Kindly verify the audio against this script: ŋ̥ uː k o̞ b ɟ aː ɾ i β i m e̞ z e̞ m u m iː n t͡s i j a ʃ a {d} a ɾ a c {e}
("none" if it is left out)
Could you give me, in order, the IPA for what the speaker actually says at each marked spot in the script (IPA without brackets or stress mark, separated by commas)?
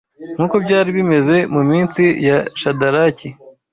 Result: d, i